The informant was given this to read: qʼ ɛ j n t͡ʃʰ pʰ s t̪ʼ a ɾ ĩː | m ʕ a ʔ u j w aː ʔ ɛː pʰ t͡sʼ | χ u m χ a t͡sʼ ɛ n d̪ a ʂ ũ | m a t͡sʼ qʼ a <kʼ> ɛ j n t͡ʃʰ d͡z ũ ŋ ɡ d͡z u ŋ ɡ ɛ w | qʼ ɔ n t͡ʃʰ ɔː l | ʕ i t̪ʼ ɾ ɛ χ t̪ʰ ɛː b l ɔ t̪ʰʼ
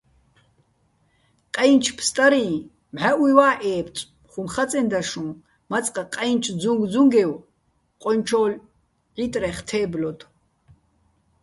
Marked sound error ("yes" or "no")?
yes